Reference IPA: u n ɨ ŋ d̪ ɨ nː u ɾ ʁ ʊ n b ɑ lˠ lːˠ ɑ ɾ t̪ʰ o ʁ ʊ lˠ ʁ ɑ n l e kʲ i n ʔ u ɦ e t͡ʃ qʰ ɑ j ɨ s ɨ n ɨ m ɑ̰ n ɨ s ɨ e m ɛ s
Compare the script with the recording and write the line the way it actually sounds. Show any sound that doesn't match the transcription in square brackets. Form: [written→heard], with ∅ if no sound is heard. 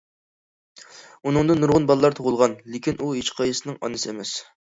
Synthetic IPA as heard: u n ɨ ŋ d̪ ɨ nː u ɾ ʁ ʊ n b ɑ lˠ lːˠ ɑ ɾ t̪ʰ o ʁ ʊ lˠ ʁ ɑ n l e kʲ i n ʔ u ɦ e t͡ʃ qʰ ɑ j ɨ s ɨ n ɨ [m→ŋ] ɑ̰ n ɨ s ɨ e m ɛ s